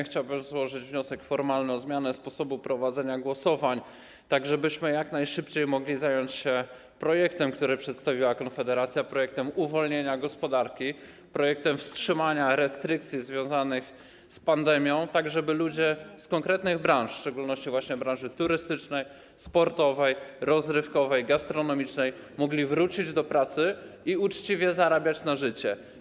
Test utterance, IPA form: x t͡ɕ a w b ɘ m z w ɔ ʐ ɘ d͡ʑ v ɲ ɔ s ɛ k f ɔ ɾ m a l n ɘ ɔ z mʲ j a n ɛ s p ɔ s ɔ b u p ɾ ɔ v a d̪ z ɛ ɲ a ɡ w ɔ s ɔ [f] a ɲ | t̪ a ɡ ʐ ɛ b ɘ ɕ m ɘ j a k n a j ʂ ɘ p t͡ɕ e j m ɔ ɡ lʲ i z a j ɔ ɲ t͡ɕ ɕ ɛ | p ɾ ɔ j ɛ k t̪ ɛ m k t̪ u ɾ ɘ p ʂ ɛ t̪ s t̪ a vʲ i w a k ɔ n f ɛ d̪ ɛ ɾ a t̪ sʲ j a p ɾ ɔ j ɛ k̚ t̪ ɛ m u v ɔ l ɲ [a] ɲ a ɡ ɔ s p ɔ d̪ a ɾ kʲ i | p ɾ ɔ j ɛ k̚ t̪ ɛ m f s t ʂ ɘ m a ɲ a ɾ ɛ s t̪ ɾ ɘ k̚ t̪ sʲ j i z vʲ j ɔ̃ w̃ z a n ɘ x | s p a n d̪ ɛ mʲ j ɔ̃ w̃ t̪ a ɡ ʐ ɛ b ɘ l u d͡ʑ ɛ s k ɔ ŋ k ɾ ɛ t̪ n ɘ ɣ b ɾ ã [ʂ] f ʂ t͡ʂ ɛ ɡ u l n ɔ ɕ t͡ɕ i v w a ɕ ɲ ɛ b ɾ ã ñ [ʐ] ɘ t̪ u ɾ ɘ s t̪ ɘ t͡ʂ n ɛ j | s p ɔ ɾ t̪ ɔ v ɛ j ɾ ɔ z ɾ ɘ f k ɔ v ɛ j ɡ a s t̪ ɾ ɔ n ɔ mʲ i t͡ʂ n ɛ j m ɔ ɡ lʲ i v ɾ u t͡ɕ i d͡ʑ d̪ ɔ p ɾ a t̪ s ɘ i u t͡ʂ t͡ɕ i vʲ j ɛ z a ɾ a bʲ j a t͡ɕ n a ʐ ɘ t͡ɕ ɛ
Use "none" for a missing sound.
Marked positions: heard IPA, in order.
v, e, ʂ, ʐ

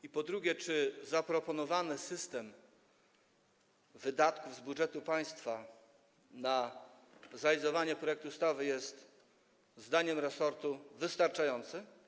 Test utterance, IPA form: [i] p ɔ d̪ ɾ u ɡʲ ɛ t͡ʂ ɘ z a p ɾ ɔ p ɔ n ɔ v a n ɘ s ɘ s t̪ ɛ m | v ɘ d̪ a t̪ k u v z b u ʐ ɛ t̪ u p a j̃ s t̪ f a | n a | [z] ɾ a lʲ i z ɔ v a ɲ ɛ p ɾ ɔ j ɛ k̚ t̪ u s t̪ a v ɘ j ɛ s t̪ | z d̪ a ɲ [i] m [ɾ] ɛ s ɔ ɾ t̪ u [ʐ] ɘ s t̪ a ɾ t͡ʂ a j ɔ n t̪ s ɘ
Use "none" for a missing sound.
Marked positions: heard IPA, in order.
i, z, ɛ, ɾ, v

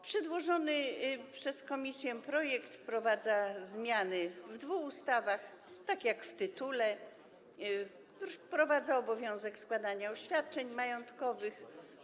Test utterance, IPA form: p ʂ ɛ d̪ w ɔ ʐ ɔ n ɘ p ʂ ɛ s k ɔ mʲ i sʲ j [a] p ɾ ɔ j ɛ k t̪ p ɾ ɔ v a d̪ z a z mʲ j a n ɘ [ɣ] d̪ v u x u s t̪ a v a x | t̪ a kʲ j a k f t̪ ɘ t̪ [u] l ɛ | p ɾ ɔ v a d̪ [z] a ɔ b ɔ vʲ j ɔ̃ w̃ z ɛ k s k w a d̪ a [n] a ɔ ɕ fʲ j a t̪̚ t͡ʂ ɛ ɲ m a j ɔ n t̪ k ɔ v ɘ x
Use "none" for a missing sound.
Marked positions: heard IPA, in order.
ɛ, v, u, z, ɲ

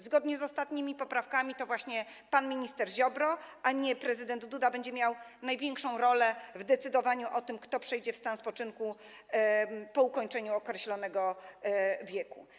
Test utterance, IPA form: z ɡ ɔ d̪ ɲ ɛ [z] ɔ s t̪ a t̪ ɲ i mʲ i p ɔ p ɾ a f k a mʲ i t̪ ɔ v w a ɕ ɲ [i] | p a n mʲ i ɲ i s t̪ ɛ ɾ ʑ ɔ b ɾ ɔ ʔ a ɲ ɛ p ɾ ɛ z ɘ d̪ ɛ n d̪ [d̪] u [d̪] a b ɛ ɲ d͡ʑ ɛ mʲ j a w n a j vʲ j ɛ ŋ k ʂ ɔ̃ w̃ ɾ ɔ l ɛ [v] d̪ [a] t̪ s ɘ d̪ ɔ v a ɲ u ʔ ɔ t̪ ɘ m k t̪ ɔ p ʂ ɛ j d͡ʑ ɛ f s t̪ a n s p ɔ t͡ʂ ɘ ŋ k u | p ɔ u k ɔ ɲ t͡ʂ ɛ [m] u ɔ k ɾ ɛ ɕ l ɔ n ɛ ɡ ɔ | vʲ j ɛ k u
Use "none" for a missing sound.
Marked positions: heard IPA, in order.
z, ɛ, d̪, d̪, v, ɛ, ɲ

